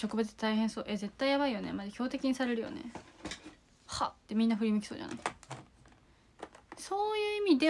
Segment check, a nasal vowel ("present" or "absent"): present